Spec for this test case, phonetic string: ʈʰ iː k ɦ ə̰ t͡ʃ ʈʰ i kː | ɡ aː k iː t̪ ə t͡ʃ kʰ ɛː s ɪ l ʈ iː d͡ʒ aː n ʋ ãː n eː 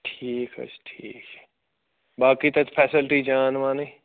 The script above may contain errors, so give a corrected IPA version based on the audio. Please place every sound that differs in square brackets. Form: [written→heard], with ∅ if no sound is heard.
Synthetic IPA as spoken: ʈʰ iː k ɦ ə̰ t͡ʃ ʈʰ [i→iː] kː | [ɡ→b] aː k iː t̪ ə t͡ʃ [kʰ→pʰ] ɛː s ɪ l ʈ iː d͡ʒ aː n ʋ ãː n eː